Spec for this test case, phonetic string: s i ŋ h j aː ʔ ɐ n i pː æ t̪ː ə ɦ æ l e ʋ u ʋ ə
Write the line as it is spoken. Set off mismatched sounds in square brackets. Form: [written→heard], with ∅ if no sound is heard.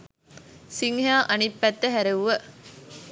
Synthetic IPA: s i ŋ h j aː ʔ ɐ n i pː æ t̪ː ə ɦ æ [l→ɾ] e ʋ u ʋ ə

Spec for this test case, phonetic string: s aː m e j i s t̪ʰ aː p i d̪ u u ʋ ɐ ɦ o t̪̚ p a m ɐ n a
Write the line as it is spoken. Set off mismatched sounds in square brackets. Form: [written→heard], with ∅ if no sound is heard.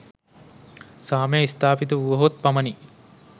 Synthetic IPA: s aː m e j i s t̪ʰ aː p i [d̪→t̪] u u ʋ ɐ ɦ o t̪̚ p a m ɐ n [a→i]

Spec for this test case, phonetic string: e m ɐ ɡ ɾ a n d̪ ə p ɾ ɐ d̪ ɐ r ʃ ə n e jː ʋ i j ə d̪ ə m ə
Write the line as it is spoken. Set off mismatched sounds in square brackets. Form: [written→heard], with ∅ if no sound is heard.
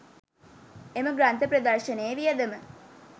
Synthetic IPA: e m [ɐ→ə] ɡ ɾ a n [d̪→t̪] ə p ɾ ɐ d̪ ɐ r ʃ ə n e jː ʋ i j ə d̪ ə m ə

